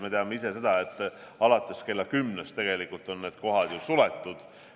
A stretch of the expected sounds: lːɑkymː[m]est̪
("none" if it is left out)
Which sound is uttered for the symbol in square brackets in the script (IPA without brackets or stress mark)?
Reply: n